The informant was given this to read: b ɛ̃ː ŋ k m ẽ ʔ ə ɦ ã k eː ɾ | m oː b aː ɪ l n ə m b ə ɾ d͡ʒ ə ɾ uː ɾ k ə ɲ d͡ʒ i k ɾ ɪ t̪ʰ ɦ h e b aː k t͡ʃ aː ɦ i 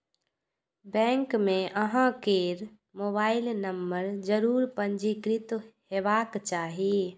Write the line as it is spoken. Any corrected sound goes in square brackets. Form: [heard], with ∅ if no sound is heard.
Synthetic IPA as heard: b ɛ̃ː ŋ k m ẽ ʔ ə ɦ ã k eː ɾ | m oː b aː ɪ l n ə m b ə ɾ d͡ʒ ə ɾ uː ɾ [p] ə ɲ d͡ʒ i k ɾ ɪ [t̪] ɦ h e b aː k t͡ʃ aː ɦ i